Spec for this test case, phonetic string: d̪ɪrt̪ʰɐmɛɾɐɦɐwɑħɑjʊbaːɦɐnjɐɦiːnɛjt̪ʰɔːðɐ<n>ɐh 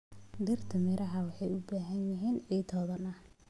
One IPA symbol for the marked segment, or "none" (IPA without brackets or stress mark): n